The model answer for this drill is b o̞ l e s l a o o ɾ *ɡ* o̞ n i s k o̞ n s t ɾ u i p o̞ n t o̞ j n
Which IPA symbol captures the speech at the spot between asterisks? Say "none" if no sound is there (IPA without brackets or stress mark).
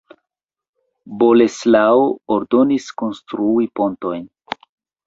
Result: d